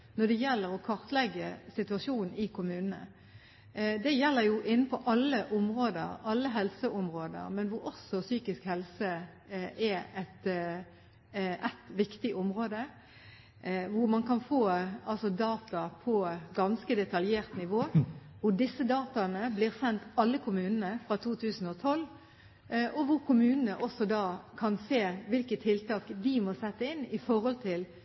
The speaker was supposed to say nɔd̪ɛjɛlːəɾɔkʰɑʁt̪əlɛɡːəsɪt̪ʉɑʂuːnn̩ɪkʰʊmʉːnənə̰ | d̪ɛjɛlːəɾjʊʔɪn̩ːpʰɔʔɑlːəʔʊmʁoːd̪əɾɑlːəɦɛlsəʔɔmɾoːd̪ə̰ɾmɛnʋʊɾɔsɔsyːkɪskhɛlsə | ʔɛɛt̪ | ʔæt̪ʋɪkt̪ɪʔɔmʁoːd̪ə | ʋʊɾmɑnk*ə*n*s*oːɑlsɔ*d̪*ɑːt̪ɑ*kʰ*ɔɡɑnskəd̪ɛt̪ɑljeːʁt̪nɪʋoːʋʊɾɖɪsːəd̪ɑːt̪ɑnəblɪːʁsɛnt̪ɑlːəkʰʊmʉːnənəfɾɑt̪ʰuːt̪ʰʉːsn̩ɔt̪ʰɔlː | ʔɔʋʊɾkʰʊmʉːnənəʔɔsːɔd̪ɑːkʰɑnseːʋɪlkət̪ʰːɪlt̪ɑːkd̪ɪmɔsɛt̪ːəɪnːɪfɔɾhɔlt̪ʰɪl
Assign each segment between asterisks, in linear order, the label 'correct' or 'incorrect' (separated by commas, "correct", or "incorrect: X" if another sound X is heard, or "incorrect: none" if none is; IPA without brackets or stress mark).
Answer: incorrect: ɑ, incorrect: f, correct, incorrect: pʰ